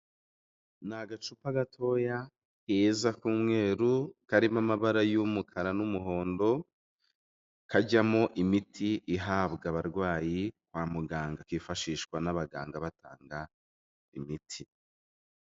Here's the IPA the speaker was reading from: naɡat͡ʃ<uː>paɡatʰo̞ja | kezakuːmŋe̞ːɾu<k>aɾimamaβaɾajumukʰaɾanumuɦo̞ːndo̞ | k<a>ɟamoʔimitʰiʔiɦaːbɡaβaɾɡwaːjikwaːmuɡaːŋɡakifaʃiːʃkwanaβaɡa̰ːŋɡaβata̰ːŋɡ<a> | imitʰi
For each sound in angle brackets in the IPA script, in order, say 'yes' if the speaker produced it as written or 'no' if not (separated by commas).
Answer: no, yes, yes, yes